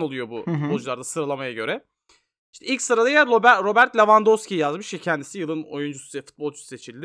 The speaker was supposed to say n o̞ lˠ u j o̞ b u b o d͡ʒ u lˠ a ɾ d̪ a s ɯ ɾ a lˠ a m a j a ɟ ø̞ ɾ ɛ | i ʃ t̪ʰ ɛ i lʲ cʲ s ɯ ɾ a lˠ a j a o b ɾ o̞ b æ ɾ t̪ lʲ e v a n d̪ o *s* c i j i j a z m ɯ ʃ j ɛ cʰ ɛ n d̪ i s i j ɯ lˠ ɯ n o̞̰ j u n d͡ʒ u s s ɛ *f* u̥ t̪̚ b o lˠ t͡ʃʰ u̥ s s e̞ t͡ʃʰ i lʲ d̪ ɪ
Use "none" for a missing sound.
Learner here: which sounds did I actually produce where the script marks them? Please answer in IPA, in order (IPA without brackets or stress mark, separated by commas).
s, f